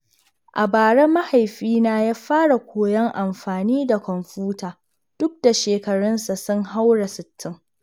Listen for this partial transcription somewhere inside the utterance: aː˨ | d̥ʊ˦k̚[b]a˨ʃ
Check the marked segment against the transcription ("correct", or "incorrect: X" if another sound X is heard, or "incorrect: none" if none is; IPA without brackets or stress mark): incorrect: d